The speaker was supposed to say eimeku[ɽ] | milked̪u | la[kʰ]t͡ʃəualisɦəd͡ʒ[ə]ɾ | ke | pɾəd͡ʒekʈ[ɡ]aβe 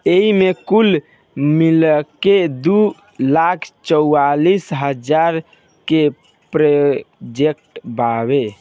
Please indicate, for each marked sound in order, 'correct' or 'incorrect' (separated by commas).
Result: incorrect, correct, incorrect, incorrect